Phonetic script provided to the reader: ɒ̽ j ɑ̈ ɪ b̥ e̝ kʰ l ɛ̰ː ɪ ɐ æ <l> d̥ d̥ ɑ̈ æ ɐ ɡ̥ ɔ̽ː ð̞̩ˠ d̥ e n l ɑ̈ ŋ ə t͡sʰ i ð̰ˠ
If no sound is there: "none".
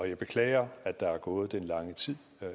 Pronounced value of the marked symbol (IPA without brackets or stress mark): none